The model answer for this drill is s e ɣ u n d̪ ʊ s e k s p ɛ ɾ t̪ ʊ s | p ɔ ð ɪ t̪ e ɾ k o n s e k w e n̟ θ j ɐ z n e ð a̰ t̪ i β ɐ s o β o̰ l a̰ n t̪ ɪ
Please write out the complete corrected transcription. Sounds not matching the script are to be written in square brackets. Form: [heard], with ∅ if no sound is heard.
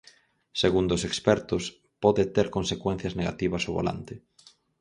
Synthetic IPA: s e ɣ u n d̪ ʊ s e k s p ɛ ɾ t̪ ʊ s | p ɔ ð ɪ t̪ e ɾ k o n s e k w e n̟ θ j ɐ z n e [ɣ] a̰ t̪ i β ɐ s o β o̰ l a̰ n t̪ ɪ